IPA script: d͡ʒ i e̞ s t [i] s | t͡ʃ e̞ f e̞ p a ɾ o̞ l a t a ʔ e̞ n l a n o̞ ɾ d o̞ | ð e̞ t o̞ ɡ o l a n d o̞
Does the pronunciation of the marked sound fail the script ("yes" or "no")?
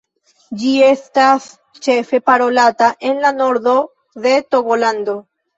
yes